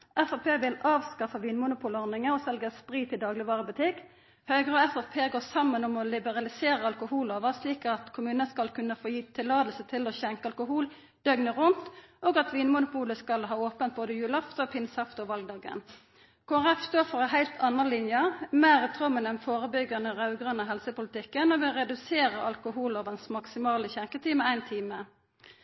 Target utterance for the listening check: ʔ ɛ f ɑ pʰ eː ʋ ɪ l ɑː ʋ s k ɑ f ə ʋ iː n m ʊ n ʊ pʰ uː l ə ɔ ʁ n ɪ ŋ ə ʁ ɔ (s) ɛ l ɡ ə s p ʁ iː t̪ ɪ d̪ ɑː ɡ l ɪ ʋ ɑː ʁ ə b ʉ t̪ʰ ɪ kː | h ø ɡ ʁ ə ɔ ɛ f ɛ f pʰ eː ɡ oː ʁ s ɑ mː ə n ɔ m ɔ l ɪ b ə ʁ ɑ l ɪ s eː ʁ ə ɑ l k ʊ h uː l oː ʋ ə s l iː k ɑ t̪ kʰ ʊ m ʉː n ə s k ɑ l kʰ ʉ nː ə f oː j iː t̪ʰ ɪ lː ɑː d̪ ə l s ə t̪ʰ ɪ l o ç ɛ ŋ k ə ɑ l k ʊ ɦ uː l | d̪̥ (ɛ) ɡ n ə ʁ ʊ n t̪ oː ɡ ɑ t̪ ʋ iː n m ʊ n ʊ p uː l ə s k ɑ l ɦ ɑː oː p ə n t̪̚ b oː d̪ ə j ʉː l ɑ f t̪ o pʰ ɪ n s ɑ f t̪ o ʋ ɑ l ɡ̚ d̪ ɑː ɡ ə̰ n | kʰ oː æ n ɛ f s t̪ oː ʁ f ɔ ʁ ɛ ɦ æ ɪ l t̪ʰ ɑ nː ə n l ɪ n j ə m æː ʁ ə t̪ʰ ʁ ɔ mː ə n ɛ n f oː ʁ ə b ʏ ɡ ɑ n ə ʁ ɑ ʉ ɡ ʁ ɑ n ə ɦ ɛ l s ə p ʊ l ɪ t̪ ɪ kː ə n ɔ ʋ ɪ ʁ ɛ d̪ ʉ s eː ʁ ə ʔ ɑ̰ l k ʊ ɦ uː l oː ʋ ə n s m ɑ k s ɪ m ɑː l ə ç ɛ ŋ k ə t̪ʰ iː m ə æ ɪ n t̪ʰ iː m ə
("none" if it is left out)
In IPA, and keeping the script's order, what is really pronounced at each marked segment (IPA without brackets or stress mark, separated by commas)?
s, œ